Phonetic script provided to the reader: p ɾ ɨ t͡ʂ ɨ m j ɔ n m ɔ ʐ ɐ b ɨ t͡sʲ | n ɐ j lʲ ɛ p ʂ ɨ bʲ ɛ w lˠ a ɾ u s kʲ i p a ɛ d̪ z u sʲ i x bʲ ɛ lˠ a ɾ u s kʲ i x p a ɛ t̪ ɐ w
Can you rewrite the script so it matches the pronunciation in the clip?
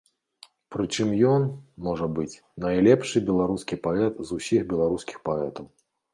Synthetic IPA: p ɾ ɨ t͡ʂ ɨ m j ɔ n m ɔ ʐ ɐ b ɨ t͡sʲ | n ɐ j lʲ ɛ p ʂ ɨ bʲ ɛ lˠ a ɾ u s kʲ i p a ɛ t̪ z u sʲ i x bʲ ɛ lˠ a ɾ u s kʲ i x p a ɛ t̪ ɐ w